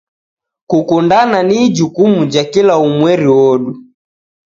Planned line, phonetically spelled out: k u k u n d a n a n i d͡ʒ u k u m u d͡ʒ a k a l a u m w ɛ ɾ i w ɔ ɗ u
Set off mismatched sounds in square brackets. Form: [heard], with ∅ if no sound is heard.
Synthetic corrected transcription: k u k u n d a n a n i d͡ʒ u k u m u d͡ʒ a k [i] l a u m w ɛ ɾ i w ɔ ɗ u